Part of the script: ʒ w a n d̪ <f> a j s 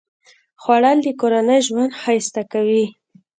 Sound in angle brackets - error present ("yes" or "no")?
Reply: yes